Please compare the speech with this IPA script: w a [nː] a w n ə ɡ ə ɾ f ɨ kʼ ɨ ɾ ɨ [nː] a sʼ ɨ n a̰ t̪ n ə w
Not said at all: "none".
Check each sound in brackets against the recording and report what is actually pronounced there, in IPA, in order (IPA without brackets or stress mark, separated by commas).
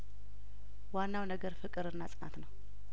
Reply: nː, nː